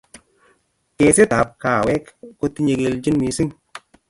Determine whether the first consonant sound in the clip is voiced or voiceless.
voiceless